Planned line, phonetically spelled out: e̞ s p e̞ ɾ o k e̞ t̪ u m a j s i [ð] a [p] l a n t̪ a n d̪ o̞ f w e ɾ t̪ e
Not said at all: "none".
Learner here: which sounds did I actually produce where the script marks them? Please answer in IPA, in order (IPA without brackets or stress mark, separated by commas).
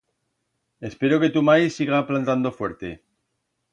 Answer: ɣ, p